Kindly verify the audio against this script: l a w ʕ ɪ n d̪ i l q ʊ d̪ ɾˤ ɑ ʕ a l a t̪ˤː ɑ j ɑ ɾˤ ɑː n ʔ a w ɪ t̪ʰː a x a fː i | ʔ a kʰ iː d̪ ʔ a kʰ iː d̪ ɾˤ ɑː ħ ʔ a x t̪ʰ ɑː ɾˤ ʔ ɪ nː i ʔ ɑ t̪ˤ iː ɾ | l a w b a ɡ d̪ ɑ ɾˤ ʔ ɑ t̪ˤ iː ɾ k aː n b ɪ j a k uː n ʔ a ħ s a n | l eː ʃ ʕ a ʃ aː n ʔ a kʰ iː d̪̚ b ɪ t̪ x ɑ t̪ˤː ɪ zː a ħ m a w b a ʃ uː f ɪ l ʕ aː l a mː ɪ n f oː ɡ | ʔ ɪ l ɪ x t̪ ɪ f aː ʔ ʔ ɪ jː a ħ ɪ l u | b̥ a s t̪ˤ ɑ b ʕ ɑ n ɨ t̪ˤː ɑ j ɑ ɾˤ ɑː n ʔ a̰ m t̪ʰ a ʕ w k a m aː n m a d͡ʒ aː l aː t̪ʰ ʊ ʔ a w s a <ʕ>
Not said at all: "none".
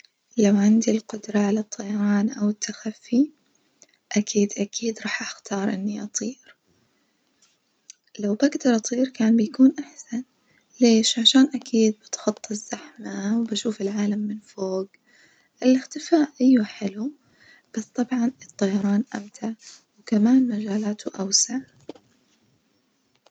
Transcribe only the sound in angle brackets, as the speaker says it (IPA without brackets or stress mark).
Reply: ʕ